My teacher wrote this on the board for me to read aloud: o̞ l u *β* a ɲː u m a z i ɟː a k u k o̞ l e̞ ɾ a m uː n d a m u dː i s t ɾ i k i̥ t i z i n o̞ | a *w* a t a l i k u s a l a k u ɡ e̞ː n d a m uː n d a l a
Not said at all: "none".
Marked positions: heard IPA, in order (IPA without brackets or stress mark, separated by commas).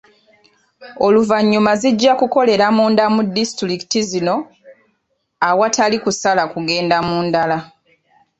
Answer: v, w